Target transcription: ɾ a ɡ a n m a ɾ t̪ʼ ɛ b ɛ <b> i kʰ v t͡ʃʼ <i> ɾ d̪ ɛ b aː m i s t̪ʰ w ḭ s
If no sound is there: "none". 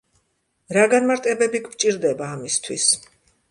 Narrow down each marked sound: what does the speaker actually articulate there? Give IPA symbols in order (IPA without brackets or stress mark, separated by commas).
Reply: b, i